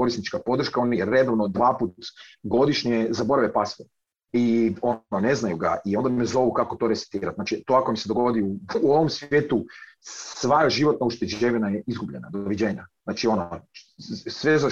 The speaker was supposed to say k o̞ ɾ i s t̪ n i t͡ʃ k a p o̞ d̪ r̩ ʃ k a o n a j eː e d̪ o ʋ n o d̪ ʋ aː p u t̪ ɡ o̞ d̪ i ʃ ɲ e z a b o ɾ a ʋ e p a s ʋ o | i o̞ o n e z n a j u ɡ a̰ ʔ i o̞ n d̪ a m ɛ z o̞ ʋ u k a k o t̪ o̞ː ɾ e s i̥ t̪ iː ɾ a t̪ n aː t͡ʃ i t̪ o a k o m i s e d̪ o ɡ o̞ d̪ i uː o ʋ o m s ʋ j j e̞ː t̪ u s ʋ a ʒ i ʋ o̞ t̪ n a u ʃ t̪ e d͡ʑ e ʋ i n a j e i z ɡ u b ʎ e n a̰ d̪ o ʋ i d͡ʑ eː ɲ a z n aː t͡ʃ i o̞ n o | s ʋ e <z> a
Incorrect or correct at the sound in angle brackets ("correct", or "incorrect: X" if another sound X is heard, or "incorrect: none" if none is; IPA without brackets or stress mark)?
correct